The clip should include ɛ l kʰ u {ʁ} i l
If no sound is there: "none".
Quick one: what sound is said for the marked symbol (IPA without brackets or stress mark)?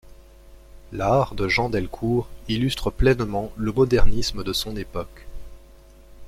ʁ